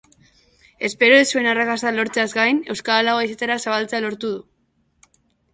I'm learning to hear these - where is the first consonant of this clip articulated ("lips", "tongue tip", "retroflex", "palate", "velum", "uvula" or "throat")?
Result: tongue tip